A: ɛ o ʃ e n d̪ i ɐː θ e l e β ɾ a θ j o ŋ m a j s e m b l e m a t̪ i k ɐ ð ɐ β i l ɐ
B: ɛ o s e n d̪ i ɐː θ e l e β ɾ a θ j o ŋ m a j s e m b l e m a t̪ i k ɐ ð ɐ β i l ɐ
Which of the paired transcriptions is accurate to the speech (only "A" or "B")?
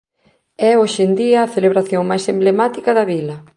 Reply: A